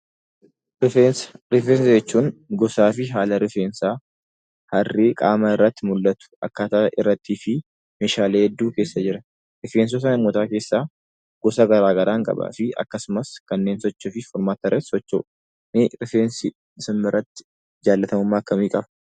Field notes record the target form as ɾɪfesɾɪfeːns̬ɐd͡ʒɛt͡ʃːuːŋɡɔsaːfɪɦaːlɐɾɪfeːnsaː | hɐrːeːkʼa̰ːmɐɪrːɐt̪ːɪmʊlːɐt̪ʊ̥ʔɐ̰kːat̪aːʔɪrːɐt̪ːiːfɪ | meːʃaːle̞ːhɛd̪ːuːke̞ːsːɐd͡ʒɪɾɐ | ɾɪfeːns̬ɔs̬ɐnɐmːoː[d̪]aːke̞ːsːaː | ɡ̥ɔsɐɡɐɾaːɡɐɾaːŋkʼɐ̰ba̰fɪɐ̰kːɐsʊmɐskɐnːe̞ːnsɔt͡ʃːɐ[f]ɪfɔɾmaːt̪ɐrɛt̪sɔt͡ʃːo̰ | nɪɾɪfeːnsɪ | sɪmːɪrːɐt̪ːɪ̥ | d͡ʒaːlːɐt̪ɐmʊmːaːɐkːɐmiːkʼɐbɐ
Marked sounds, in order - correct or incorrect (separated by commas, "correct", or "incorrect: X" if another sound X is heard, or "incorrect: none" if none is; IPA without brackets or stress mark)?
incorrect: t̪, correct